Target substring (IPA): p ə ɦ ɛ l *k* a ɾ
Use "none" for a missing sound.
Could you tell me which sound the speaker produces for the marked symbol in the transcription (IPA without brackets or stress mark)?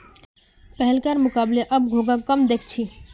k